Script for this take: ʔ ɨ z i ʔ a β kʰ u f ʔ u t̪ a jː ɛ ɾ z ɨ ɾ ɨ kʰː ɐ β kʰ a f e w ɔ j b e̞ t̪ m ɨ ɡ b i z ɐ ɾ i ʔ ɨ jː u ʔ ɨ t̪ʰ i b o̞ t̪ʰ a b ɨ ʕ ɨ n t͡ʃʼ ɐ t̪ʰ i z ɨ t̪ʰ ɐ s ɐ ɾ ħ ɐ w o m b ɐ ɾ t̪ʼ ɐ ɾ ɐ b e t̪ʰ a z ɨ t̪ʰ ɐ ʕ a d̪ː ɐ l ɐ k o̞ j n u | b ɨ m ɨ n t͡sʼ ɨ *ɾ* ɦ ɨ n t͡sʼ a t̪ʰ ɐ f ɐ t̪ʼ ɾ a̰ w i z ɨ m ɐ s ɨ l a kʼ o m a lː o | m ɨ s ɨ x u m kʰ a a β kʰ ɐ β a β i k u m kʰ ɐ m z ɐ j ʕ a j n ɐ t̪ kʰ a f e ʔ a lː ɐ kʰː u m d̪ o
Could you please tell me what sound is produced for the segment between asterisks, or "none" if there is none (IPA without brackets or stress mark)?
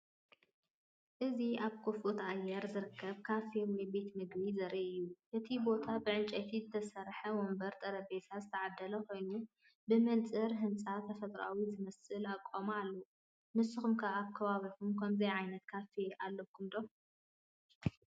ɾ